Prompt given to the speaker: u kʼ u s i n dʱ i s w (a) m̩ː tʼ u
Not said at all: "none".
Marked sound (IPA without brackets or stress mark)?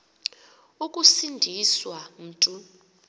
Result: a